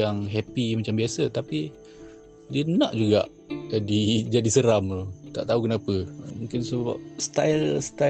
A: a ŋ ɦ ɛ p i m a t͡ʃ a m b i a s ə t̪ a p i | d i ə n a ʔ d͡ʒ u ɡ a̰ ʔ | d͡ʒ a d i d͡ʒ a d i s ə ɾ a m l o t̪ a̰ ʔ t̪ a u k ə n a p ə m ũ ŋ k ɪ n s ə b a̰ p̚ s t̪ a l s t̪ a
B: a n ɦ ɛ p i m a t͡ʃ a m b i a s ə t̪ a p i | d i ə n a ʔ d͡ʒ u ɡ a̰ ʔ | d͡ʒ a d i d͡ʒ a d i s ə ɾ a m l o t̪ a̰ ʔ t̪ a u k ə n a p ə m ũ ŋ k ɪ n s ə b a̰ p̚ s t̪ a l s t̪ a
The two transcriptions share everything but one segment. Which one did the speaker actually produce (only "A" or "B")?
A